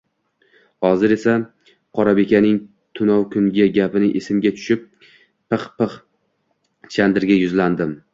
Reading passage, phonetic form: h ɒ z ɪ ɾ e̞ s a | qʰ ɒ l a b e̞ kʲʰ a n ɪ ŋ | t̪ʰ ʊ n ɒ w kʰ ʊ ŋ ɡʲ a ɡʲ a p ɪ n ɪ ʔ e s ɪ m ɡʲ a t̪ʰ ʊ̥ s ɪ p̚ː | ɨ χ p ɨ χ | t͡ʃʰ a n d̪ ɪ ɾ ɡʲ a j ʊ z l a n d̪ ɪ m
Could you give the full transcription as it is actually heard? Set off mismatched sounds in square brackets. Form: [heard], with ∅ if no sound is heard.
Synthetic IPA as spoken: h ɒ z ɪ ɾ e̞ s a | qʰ ɒ [ɾ] a b e̞ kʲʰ a n ɪ ŋ | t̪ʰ ʊ n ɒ w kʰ ʊ ŋ ɡʲ a ɡʲ a p ɪ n ɪ ʔ e s ɪ m ɡʲ a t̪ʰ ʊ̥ [ʃ] ɪ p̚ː | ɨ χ p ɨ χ | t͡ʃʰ a n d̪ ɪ ɾ ɡʲ a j ʊ z l a n d̪ ɪ m